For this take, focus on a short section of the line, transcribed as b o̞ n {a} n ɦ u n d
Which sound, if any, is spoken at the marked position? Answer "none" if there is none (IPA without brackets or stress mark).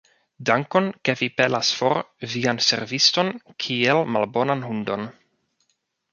a